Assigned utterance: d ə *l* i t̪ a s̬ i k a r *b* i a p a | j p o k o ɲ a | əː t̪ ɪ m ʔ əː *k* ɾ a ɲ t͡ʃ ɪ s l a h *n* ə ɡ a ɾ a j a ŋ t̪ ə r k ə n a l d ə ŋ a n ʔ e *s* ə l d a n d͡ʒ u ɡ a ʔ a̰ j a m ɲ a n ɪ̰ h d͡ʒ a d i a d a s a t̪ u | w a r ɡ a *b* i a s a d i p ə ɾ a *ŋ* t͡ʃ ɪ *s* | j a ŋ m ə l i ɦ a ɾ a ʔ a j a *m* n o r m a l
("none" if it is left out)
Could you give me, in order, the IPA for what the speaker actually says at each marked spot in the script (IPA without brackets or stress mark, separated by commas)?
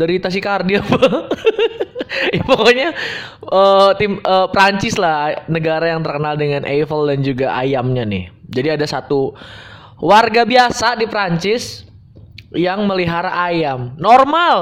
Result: ɾ, d, p, n, f, b, ɲ, s, m